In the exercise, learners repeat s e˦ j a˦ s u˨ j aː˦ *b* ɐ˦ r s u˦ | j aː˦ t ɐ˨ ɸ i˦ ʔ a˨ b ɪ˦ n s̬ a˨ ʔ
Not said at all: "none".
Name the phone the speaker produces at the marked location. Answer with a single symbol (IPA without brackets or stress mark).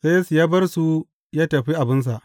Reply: b